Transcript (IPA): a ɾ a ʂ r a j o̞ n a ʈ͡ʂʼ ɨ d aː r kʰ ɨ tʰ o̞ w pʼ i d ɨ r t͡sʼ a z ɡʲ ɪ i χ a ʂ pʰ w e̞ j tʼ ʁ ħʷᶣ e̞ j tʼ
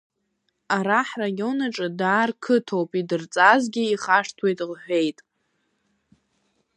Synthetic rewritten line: a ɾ a ħ r a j o̞ n a ʈ͡ʂʼ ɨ d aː r kʰ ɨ tʰ o̞ w pʼ i d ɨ r t͡sʼ a z ɡʲ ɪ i χ a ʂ tʰ w e̞ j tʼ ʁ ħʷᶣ e̞ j tʼ